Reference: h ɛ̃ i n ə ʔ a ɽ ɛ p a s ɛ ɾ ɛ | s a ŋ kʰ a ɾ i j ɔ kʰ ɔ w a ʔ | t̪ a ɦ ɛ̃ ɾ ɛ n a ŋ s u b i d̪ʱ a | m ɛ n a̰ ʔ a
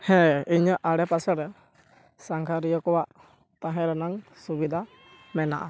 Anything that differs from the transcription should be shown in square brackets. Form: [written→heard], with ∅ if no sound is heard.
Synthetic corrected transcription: h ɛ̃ i [n→ɲ] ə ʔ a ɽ ɛ p a s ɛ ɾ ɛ | s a ŋ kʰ a ɾ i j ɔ [kʰ→k] ɔ w a ʔ | t̪ a ɦ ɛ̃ ɾ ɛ n a ŋ s u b i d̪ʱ a | m ɛ n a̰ ʔ a